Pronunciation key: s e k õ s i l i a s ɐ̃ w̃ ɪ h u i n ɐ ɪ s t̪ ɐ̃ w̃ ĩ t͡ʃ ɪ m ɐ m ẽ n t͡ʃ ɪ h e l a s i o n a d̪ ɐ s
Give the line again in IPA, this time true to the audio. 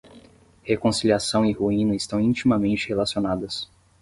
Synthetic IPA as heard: h e k õ s i l i a s ɐ̃ w̃ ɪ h u ĩ n ɐ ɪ s t̪ ɐ̃ w̃ ĩ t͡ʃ i m ɐ m ẽ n t͡ʃ ɪ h e l a s i o n a d̪ ɐ s